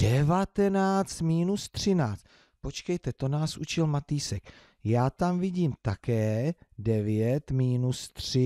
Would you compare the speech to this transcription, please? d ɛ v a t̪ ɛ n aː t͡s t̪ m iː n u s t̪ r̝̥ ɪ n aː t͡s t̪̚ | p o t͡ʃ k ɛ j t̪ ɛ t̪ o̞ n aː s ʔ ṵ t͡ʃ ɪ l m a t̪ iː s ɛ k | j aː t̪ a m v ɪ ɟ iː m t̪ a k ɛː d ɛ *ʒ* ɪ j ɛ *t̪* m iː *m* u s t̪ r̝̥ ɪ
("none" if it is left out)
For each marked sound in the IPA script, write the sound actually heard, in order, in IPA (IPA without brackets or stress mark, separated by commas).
v, t̪, n